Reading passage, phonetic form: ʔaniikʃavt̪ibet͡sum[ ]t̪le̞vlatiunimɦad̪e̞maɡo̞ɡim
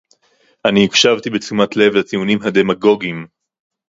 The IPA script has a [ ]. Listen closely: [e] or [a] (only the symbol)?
a